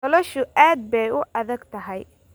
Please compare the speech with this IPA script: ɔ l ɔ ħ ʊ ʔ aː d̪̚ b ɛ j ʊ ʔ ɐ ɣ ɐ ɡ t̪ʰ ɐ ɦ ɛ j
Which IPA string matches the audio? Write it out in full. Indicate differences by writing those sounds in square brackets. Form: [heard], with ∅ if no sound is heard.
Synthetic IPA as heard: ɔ l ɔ [ʃ] ʊ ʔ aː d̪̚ b ɛ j ʊ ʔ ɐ [ð] ɐ ɡ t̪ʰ ɐ ɦ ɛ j